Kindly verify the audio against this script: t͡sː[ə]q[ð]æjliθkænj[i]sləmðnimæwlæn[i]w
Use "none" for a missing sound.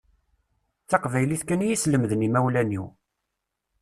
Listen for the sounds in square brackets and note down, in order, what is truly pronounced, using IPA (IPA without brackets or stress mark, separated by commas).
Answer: ɑ, v, i, i